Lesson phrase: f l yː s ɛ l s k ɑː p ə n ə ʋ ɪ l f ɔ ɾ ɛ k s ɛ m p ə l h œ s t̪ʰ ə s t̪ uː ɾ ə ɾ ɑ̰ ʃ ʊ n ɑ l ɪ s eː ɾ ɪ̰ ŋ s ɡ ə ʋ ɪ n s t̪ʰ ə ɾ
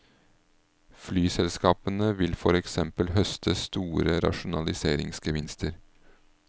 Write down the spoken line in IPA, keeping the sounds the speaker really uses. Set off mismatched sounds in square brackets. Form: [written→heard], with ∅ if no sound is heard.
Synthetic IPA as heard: f l yː s ɛ l s k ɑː p ə n ə ʋ ɪ l f ɔ ɾ ɛ k s ɛ m p ə l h œ s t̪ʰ ə s t̪ uː ɾ ə ɾ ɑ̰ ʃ ʊ n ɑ l ɪ s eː ɾ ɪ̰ ŋ s ɡ ə ʋ ɪ n s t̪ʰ ə ɾ